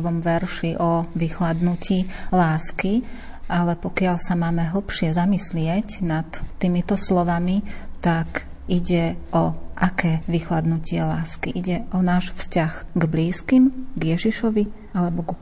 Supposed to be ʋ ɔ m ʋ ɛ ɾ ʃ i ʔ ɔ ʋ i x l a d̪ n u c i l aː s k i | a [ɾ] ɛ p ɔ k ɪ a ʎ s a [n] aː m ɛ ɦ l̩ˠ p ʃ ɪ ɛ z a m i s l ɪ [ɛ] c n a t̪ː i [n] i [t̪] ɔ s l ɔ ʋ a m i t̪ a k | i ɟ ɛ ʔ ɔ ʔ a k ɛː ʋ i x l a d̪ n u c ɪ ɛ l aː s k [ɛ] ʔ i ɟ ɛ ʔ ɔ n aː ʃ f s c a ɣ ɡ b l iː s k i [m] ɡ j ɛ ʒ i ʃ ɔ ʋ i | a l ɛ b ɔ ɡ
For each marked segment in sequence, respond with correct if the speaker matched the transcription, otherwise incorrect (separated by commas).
incorrect, incorrect, correct, incorrect, correct, incorrect, correct